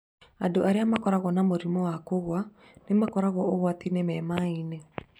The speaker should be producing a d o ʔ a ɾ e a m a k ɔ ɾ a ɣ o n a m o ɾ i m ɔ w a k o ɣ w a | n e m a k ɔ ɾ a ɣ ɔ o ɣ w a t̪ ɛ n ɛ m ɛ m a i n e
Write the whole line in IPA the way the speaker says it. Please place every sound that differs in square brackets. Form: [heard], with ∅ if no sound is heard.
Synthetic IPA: a d o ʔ a ɾ e a m a k ɔ ɾ a ɣ [ɔ] n a m o ɾ i m ɔ w a k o ɣ w a | n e m a k ɔ ɾ a ɣ ɔ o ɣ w a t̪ [i] n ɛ m ɛ m a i n e